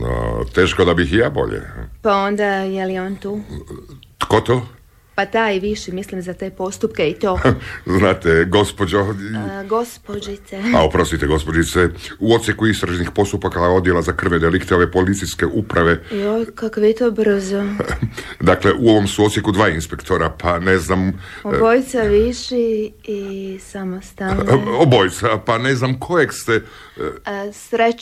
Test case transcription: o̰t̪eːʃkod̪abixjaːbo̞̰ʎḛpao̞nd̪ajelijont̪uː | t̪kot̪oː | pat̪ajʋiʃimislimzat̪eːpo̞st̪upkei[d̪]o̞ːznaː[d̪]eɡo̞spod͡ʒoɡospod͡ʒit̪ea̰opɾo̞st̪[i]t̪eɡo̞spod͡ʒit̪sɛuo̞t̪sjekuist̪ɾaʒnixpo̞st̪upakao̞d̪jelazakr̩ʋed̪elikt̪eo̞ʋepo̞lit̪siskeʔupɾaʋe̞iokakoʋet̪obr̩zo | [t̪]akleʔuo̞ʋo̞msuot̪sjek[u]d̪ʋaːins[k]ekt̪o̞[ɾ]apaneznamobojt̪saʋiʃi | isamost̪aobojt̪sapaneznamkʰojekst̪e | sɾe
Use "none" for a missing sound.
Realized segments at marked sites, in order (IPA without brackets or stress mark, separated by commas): t̪, t̪, i, d̪, u, p, ɾ